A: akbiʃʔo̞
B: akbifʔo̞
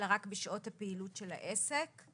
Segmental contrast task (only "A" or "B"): A